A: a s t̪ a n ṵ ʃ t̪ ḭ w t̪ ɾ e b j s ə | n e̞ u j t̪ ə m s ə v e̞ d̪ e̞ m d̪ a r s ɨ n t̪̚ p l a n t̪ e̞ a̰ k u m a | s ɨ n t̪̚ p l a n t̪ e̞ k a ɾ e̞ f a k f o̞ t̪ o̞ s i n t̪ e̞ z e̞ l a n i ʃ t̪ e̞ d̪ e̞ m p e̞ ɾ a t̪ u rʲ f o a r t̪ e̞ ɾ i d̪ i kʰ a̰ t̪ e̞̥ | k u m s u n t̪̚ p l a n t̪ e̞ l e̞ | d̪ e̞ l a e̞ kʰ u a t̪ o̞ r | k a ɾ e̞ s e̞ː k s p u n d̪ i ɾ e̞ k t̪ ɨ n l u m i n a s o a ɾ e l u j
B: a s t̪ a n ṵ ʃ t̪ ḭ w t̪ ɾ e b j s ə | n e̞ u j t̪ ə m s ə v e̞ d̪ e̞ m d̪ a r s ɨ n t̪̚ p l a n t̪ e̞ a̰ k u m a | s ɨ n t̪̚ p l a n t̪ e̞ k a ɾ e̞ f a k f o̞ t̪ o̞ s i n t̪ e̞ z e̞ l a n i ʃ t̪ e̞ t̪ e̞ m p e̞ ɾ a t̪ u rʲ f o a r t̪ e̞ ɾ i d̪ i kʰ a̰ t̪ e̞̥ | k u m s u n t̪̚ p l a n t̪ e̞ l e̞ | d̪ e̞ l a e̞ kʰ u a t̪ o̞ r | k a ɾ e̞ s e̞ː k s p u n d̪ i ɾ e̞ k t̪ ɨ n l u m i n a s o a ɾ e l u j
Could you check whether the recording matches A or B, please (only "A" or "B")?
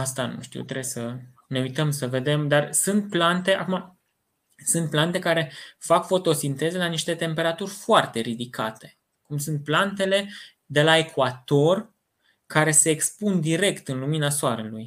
B